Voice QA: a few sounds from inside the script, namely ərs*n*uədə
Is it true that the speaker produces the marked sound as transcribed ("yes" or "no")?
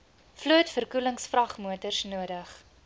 yes